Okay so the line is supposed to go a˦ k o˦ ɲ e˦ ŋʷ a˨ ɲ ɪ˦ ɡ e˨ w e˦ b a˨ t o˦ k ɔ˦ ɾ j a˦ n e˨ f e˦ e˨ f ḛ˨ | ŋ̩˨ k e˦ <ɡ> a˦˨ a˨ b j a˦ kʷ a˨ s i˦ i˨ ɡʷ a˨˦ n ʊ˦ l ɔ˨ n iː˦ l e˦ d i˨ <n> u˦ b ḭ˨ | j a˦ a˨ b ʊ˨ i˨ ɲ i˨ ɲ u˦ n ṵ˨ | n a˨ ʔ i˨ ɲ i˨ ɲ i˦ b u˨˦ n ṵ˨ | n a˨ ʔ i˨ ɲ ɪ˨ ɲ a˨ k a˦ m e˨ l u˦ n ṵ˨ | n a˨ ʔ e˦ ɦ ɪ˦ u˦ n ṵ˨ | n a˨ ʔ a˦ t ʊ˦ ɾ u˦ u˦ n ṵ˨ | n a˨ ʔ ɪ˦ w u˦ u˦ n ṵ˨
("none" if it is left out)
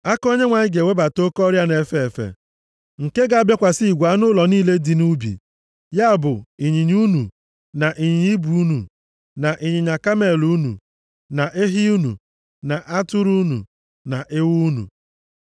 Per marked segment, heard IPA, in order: ɡ, n

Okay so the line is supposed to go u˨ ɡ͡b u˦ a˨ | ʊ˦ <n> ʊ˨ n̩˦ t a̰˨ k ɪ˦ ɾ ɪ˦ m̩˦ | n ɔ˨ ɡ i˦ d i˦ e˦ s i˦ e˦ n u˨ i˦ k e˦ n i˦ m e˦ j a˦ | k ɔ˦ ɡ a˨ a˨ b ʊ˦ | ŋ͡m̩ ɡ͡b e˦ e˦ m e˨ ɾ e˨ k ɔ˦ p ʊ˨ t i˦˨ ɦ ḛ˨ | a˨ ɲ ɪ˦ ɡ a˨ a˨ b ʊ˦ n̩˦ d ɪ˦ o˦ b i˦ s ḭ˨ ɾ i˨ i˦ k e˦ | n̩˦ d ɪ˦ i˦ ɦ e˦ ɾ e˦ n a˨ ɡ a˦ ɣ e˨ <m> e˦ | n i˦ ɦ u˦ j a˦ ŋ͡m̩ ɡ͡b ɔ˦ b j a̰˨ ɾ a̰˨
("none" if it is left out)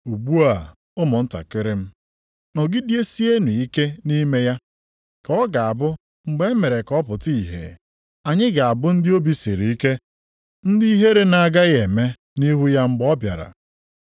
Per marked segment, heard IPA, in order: m, m

